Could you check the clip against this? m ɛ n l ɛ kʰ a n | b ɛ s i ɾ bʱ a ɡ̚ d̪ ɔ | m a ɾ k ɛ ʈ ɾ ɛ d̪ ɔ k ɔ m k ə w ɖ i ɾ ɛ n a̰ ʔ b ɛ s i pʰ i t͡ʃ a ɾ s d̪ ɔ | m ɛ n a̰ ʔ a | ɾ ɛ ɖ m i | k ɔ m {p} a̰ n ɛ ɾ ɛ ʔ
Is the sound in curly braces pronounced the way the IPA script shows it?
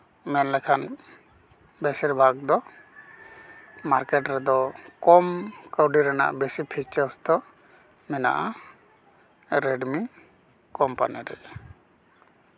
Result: yes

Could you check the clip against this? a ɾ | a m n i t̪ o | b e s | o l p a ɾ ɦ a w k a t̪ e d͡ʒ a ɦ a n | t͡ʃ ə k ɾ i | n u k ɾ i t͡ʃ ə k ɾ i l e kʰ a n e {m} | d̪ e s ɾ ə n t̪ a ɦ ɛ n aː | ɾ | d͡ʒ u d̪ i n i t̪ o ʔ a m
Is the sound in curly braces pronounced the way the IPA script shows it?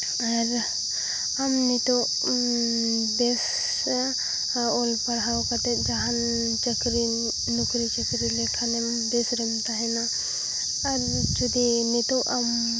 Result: yes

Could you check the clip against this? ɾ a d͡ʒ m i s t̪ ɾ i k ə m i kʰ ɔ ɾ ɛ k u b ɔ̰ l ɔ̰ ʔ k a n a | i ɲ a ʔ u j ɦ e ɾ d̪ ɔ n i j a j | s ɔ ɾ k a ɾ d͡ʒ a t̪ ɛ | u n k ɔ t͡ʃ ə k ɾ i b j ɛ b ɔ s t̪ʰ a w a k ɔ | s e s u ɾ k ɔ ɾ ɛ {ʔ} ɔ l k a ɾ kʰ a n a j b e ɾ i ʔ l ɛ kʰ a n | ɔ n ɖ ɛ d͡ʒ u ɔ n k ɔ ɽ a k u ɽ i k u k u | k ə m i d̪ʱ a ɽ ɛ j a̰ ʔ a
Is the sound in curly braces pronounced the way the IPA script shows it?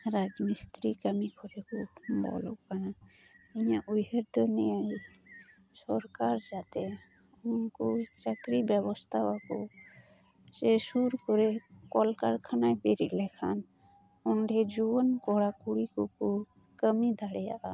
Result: no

